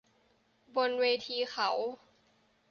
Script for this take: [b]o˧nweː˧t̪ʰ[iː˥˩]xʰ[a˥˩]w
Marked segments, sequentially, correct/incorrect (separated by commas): correct, incorrect, incorrect